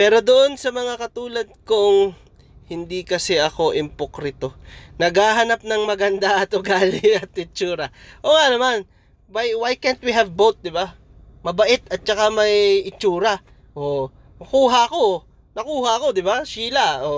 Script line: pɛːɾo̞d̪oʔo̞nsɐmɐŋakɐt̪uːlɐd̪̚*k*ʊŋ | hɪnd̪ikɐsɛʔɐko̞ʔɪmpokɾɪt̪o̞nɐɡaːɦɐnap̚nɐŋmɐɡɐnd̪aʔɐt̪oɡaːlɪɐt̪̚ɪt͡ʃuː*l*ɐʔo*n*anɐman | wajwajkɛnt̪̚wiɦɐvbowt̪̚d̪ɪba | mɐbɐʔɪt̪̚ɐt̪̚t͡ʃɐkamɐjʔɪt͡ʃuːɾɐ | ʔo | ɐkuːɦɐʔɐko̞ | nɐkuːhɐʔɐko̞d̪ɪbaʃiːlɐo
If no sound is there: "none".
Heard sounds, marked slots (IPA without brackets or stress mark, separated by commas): k, ɾ, ŋ